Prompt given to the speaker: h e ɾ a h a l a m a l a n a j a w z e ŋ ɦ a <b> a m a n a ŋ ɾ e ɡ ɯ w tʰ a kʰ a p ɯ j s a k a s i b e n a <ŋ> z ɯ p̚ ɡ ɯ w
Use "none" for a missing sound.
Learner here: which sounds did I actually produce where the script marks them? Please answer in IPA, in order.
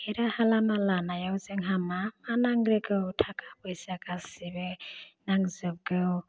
m, ŋ

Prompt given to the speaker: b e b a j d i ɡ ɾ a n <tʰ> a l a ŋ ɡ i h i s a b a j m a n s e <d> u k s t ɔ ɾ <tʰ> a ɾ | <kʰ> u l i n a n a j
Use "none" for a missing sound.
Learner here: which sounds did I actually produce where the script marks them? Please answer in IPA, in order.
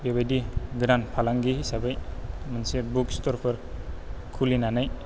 pʰ, b, pʰ, kʰ

